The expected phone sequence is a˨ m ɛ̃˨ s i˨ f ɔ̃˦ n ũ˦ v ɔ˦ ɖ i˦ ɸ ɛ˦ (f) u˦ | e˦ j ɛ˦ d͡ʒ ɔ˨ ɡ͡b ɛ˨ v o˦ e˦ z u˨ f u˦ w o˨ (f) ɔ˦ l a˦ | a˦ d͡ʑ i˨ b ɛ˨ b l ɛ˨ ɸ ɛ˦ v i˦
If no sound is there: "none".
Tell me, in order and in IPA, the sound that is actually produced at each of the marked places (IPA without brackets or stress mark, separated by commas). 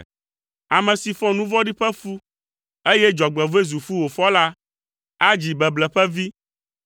f, f